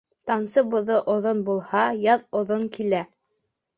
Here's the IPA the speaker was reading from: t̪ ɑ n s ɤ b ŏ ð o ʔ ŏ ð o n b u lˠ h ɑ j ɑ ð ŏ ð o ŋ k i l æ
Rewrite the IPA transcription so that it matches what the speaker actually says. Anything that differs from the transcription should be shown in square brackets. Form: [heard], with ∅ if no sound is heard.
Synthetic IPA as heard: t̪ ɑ n s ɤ b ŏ ð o ʔ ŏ ð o n b u lˠ h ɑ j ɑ ð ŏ ð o ŋ k i l æ